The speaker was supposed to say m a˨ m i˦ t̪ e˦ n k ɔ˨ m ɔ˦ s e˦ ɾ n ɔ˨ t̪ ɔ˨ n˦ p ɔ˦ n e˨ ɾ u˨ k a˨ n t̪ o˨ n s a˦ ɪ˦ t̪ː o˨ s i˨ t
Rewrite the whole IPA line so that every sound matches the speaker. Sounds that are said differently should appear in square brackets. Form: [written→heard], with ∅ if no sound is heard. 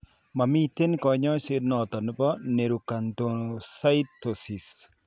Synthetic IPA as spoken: m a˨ m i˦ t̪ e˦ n k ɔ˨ [m→ɲ] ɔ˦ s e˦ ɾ n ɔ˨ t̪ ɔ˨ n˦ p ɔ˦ n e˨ ɾ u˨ k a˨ n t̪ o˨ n s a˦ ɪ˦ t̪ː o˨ s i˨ [t→s]